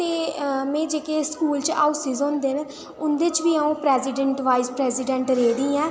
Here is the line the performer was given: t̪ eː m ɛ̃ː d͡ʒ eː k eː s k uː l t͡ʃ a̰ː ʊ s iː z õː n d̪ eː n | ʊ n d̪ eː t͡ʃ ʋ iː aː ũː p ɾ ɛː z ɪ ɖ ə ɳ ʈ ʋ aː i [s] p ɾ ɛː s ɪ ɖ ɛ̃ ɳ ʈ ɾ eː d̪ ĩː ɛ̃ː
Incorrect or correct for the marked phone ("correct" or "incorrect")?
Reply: correct